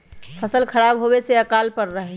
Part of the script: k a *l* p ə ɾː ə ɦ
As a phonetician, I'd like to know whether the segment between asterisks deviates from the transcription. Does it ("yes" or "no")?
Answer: no